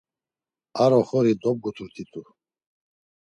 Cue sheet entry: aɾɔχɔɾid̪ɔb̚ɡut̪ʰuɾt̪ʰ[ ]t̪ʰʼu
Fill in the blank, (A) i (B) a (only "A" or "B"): A